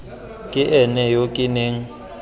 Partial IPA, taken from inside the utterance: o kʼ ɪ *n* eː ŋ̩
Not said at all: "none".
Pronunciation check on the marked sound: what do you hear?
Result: n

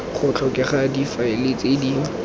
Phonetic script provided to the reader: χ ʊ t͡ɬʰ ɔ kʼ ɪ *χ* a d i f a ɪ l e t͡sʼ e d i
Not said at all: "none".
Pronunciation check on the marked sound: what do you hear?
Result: χ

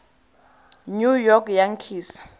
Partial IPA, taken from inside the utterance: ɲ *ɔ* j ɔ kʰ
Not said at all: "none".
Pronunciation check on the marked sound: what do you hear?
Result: u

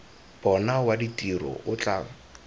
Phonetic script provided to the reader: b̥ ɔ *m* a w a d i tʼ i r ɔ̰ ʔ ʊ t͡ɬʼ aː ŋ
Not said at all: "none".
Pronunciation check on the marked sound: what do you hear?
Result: n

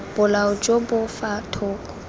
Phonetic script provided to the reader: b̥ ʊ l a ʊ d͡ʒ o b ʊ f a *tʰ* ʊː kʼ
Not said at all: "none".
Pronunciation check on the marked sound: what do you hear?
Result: tʰ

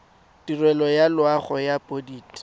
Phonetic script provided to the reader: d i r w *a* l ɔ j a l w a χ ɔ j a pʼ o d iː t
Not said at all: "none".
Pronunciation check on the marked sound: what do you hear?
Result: ɛ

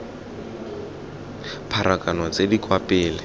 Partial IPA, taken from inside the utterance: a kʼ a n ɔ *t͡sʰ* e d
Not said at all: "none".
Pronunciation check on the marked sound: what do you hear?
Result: t͡s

